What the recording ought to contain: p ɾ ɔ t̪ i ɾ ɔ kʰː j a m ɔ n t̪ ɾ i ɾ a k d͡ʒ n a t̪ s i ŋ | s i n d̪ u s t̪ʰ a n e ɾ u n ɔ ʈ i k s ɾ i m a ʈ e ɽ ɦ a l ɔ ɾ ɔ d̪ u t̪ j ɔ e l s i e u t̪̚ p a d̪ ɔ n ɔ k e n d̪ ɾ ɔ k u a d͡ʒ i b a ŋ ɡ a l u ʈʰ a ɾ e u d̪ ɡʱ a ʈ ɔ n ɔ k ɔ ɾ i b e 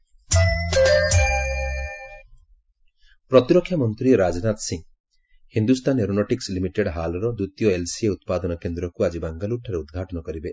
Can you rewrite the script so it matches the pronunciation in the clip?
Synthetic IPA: p ɾ ɔ t̪ i ɾ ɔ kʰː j a m ɔ n t̪ ɾ i ɾ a d͡ʒ n a t̪ s i ŋ | h i n d̪ u s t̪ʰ a n e ɾ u n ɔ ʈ i k s l i m i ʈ e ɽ ɦ a l ɔ ɾ ɔ d̪ u t̪ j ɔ e l s i e u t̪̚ p a d̪ ɔ n ɔ k e n d̪ ɾ ɔ k u a d͡ʒ i b a ŋ ɡ a l u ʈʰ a ɾ e u d̪ ɡʱ a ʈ ɔ n ɔ k ɔ ɾ i b e